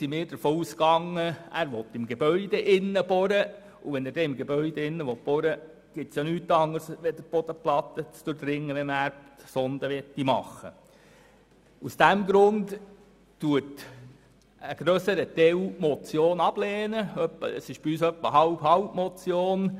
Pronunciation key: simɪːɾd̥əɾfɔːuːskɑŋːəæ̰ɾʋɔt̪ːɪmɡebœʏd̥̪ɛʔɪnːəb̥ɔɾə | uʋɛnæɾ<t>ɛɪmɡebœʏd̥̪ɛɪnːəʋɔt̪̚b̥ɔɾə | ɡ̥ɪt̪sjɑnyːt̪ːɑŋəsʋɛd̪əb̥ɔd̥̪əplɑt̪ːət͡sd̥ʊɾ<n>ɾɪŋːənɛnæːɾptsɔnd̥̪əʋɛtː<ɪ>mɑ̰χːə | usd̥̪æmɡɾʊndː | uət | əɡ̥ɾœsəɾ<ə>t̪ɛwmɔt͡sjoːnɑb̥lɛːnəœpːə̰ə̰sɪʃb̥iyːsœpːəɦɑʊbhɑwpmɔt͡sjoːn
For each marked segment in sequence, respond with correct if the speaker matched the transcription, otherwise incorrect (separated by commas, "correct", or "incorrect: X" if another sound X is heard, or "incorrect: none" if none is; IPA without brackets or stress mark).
incorrect: d, incorrect: d, incorrect: i, correct